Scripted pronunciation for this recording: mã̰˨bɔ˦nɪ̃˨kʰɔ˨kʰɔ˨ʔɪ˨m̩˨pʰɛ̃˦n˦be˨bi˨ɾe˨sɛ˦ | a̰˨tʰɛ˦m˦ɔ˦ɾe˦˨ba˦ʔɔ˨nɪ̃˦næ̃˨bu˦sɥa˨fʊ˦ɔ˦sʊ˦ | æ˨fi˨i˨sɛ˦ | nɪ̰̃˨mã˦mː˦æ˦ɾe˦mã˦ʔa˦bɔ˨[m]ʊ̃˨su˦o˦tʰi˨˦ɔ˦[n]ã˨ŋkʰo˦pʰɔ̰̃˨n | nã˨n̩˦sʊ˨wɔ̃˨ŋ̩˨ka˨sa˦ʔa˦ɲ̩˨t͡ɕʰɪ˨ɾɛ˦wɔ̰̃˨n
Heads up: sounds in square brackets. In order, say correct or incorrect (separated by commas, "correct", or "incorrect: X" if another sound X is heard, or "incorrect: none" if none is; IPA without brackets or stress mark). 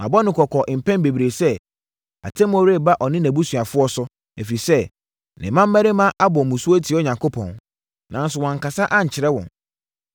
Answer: correct, incorrect: ɲ